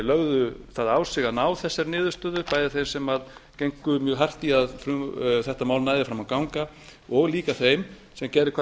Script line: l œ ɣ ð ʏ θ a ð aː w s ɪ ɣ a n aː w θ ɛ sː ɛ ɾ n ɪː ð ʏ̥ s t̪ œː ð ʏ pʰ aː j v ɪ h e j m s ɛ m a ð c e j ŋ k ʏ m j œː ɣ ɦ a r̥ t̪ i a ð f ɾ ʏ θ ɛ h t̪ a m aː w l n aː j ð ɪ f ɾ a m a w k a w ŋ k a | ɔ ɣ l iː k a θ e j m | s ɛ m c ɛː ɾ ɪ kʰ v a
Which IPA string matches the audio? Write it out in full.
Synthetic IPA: l œ ɣ ð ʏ θ a ð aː w s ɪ ɣ a n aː w θ ɛ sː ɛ ɾ n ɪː ð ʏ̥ s t̪ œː ð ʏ p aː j ð ɪ θ e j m s ɛ m a ð c e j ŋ k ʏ m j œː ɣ ɦ a r̥ t̪ i a ð f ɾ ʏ θ ɛ h t̪ a m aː w l n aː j ð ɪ f ɾ a m a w k a w ŋ k a | ɔ ɣ l iː k a θ e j m | s ɛ m c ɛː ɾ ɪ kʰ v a